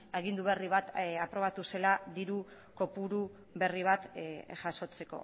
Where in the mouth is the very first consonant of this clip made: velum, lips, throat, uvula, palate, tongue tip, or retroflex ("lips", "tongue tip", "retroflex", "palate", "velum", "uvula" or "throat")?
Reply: velum